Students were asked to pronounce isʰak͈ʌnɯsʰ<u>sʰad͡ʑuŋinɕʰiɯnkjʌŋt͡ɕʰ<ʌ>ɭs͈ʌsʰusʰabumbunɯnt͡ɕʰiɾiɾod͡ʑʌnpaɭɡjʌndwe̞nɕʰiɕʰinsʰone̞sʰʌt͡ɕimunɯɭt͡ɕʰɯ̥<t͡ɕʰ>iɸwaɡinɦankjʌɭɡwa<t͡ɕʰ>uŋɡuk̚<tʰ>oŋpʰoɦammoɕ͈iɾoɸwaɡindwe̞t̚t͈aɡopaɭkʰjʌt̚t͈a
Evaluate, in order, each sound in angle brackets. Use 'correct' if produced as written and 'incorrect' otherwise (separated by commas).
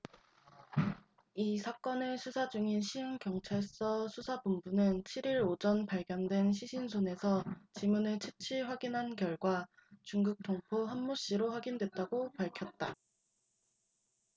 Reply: correct, incorrect, correct, incorrect, correct